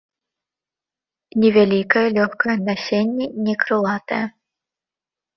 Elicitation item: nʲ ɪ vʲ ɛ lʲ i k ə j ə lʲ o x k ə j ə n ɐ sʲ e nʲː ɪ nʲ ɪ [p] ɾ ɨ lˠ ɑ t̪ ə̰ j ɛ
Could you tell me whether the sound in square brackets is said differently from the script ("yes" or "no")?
yes